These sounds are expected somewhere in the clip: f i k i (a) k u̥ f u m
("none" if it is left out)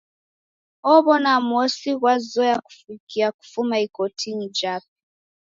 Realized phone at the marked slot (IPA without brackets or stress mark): a